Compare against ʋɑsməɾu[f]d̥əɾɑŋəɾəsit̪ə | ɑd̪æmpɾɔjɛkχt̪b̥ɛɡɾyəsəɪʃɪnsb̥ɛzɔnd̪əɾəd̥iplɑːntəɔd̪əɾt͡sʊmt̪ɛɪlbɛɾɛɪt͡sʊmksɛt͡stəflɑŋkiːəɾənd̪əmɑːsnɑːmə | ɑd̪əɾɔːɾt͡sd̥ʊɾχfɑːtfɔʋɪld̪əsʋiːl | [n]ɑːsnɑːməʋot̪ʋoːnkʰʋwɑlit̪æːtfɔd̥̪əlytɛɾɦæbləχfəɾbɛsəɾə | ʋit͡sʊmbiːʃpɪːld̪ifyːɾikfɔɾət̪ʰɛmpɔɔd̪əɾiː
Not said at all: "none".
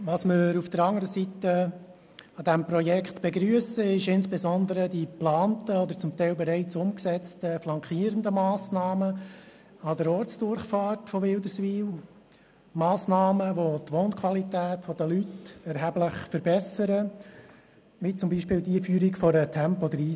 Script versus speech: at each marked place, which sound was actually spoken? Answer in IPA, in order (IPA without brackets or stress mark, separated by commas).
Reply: f, m